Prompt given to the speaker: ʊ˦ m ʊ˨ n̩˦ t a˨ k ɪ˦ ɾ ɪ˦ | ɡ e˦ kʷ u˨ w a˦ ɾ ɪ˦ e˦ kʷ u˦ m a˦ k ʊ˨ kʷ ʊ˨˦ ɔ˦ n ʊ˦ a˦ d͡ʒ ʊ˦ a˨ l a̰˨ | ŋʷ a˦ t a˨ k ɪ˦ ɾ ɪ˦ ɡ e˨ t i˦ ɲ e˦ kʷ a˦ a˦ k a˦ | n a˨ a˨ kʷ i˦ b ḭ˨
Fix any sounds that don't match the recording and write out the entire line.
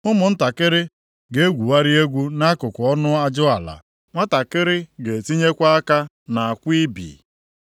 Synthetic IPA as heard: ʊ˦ m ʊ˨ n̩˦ t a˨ k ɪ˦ ɾ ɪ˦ | ɡ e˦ ɡʷ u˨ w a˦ ɾ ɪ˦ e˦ ɡʷ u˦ n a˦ k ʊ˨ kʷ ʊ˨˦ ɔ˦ n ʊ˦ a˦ d͡ʒ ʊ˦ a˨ l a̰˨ | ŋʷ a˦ t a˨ k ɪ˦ ɾ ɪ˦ ɡ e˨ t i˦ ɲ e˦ kʷ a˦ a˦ k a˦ | n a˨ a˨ kʷ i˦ b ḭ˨